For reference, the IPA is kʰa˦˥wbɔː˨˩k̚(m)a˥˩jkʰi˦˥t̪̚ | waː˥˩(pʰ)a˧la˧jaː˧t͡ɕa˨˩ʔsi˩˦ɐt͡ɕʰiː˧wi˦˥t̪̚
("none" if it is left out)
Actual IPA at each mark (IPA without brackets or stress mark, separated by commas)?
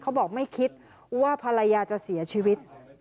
m, pʰ